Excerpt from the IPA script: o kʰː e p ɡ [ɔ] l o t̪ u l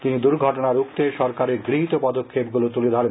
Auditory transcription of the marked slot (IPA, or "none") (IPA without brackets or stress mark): u